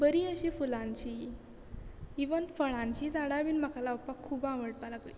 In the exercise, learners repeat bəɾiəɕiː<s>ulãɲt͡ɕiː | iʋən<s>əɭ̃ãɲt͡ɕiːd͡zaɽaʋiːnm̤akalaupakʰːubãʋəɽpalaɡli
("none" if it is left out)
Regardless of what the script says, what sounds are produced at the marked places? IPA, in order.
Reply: f, f

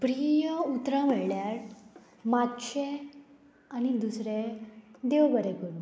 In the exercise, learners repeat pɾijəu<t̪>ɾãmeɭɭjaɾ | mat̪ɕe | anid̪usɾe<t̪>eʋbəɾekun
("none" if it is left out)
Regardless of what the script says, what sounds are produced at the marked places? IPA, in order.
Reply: t̪, d̪

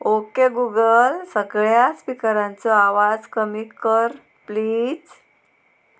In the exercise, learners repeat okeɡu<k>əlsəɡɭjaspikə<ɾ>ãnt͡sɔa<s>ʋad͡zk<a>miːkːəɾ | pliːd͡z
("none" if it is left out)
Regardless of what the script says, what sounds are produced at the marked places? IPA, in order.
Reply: ɡ, ɾ, none, ə

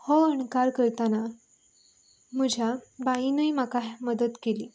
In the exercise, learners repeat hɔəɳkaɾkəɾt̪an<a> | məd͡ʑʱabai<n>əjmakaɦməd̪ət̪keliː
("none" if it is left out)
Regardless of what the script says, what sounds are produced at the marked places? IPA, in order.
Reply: a, n

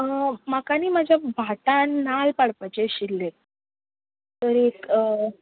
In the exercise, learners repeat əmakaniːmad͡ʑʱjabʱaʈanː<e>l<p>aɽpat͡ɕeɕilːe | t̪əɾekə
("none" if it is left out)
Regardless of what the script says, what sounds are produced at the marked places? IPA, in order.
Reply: a, p

